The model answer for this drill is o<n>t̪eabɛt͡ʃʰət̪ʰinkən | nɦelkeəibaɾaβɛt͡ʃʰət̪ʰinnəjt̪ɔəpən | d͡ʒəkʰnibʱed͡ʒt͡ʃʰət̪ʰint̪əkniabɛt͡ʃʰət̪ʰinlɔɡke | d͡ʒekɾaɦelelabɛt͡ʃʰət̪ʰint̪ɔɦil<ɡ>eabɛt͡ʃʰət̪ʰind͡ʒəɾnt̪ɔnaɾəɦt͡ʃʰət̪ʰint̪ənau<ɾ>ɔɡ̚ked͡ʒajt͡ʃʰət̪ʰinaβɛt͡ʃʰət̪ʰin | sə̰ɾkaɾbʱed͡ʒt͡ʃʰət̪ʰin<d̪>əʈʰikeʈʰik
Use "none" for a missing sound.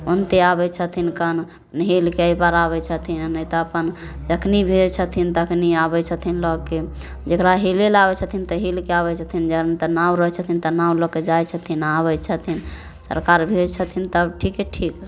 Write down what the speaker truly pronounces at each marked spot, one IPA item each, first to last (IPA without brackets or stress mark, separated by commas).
n, k, l, t̪